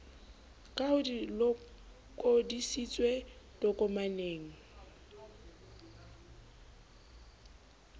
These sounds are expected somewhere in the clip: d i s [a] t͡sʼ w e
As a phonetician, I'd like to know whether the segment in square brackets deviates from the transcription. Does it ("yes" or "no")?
yes